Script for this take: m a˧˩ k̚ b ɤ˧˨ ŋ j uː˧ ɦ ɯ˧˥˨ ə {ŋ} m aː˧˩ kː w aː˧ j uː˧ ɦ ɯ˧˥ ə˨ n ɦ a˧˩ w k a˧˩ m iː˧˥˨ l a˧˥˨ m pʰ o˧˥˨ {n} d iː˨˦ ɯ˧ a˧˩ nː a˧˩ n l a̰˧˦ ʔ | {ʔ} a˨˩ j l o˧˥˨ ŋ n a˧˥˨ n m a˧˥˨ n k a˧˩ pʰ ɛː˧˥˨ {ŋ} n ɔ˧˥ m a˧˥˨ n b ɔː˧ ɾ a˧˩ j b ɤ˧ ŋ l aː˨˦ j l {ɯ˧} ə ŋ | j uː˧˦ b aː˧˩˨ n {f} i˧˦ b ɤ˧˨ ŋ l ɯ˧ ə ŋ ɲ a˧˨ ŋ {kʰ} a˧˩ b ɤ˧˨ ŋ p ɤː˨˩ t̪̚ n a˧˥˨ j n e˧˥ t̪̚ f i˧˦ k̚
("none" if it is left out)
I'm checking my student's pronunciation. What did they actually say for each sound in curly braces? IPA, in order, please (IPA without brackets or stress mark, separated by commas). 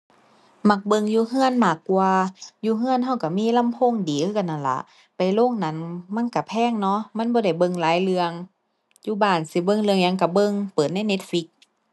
n, ŋ, p, ŋ, ɯ˧, s, k